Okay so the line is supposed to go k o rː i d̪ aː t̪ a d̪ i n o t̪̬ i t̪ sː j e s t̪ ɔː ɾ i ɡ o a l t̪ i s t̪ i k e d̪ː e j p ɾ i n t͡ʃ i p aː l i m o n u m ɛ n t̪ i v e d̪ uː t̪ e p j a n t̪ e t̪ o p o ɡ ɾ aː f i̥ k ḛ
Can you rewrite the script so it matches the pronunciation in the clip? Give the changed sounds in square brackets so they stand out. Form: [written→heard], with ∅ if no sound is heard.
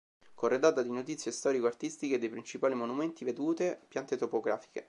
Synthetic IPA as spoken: k o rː [i→e] d̪ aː t̪ a d̪ i n o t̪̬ i t̪ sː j e s t̪ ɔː ɾ i [ɡ→k] o a [l→r] t̪ i s t̪ i k e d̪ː e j p ɾ i n t͡ʃ i p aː l i m o n u m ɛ n t̪ i v e d̪ uː t̪ e p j a n t̪ e t̪ o p o ɡ ɾ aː f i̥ k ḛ